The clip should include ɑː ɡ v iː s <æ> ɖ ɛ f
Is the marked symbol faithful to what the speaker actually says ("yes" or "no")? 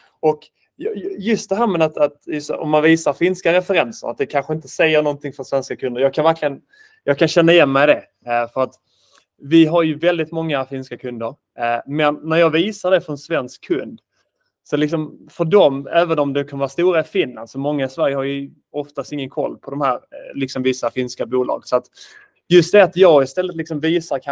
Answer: no